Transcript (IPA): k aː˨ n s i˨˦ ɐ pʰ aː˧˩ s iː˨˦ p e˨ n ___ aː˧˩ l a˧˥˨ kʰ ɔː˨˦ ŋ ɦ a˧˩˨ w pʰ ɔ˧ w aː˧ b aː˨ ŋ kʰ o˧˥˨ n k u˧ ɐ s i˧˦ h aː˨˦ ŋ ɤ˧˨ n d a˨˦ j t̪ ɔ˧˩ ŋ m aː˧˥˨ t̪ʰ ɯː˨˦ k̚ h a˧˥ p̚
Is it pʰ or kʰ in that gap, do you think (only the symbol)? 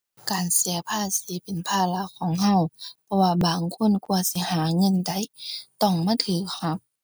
pʰ